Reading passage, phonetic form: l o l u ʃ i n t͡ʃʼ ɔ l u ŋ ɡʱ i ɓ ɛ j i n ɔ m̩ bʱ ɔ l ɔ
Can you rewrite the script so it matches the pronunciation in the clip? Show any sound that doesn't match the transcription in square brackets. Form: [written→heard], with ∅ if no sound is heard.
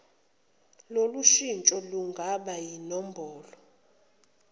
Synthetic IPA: l o l u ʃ i n t͡ʃʼ ɔ l u ŋ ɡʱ [i→a] ɓ [ɛ→a] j i n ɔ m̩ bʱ [ɔ→ɔː] l ɔ